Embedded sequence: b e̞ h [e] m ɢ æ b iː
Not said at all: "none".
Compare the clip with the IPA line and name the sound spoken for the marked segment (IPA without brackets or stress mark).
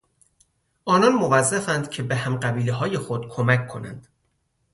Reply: æ